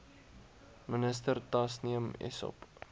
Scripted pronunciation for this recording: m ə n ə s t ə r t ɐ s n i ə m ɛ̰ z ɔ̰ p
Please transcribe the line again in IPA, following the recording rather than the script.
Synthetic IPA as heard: m ə n ə s t ə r t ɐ s n i ə m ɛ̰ s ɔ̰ p